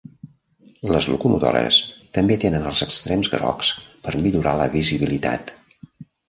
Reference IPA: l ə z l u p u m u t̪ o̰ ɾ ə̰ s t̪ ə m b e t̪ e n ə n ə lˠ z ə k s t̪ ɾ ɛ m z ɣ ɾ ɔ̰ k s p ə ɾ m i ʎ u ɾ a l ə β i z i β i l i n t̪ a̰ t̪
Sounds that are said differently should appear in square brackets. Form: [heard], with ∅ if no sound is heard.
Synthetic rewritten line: l ə z l u [k] u m u t̪ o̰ ɾ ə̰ s t̪ ə m b e t̪ e n ə n ə lˠ z ə k s t̪ ɾ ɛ m z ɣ ɾ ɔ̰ k s p ə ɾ m i ʎ u ɾ a l ə β i z i β i l i [∅] t̪ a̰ t̪